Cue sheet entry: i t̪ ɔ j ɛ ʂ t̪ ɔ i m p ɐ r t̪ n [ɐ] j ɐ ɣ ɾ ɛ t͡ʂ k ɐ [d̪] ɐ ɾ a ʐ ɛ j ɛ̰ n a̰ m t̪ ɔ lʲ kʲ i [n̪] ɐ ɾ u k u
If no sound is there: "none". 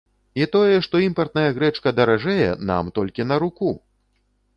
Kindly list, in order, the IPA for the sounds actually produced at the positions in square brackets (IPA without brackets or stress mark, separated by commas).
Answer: ɐ, d̪, n̪